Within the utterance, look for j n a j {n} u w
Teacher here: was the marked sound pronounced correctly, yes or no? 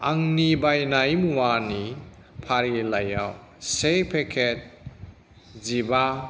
no